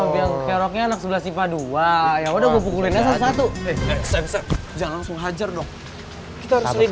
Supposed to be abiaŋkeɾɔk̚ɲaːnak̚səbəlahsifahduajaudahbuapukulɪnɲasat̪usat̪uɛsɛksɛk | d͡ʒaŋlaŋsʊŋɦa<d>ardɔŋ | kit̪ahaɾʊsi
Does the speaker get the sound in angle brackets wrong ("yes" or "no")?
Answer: yes